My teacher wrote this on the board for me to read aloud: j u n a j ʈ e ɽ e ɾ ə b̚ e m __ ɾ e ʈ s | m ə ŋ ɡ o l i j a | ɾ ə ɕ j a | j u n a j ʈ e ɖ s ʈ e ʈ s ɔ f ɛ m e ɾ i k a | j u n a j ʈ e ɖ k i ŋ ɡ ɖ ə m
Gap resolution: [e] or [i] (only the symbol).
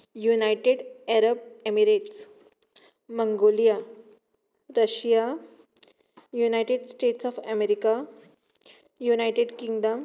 i